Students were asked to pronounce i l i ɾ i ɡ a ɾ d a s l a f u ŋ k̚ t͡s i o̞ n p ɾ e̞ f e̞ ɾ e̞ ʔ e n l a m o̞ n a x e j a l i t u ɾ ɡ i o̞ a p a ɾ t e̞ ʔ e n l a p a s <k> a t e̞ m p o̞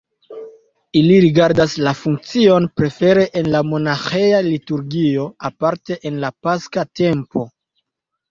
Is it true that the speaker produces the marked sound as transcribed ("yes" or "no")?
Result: yes